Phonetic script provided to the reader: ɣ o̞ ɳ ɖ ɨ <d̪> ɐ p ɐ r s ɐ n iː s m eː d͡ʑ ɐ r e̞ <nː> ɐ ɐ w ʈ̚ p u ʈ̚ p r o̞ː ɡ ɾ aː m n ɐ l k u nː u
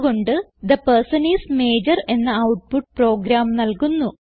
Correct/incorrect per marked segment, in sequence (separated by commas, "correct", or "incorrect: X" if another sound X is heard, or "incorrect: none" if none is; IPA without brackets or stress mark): correct, correct